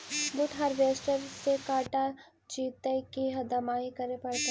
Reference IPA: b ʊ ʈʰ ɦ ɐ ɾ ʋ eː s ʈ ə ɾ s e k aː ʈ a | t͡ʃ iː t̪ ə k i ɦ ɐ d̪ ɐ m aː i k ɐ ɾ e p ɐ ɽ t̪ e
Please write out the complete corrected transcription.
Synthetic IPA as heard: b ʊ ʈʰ ɦ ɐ ɾ ʋ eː s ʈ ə ɾ s e k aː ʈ a | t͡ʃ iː t̪ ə k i ɦ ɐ d̪ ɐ m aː i k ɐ ɾ e p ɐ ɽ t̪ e